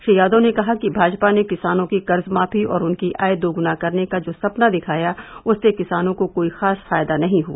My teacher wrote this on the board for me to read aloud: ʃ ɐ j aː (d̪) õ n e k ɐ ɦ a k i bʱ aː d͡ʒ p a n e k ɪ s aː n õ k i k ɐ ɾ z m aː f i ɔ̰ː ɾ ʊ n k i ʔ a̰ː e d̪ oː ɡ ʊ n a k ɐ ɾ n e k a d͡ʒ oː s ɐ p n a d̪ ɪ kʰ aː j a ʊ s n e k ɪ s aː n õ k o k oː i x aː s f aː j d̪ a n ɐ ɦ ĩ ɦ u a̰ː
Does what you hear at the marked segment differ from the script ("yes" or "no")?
no